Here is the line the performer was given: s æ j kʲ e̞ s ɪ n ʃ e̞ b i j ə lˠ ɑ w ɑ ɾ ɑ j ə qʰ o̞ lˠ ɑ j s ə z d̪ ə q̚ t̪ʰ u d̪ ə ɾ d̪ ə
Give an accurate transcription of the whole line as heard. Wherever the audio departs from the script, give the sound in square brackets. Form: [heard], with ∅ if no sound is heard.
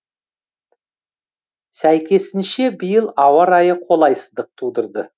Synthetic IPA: s æ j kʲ e̞ s ɪ n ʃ e̞ b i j ə lˠ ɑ w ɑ ɾ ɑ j ə qʰ o̞ lˠ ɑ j s ə z d̪ ə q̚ t̪ʰ u d̪ ə ɾ d̪ ə